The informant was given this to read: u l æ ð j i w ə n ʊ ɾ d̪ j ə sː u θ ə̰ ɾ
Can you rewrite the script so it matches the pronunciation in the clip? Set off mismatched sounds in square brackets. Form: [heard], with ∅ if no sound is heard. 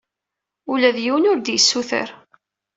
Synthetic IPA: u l æ ð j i w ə n ʊ ɾ d̪ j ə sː u θ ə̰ ɾ